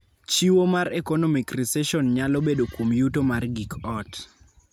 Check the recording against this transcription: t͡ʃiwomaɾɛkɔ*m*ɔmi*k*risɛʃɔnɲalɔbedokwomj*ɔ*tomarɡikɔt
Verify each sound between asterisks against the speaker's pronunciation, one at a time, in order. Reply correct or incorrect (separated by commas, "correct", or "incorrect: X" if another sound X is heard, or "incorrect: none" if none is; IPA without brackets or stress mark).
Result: incorrect: n, correct, incorrect: u